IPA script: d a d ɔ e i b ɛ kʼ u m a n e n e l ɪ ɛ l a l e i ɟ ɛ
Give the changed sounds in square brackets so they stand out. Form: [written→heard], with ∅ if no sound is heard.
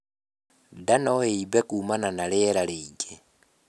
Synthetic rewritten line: d a [d→n] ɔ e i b ɛ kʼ u m a n [e→a] n [e→a] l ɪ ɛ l a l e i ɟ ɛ